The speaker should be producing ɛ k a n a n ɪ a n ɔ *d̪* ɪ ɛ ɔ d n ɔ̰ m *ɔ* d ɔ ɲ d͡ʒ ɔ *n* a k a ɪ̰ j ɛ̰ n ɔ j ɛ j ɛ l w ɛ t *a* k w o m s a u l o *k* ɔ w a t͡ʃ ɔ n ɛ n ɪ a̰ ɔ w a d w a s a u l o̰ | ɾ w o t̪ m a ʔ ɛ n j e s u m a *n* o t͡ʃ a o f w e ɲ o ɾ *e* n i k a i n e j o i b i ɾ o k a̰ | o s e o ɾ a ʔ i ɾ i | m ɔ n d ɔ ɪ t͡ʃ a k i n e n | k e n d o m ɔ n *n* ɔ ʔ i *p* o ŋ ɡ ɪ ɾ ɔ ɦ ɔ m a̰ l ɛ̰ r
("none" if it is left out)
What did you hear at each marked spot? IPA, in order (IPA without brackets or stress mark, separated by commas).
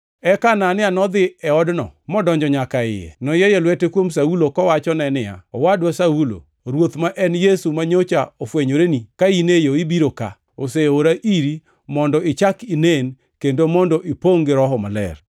d̪, ɔ, ɲ, e, k, ɲ, e, d, p